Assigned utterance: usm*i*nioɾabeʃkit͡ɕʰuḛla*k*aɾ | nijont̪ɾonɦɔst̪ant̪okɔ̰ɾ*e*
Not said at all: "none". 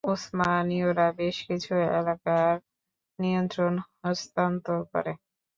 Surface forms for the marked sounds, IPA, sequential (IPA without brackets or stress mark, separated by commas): a, k, e